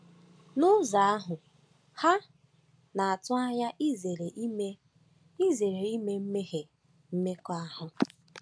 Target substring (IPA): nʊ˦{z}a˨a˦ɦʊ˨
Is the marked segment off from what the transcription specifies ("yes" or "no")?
no